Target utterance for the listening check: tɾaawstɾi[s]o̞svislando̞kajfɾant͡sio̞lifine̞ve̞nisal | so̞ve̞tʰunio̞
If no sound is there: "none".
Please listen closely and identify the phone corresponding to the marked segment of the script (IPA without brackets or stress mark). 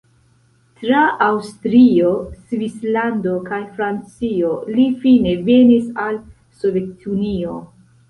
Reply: none